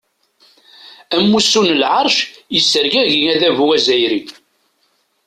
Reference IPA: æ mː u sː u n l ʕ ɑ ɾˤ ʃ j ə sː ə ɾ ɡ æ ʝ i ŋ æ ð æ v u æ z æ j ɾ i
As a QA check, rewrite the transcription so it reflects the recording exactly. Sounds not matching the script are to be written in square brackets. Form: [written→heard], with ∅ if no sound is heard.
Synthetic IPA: æ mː u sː u n l ʕ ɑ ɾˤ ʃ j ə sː ə ɾ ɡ æ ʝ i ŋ æ ð æ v u æ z æ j ɾ i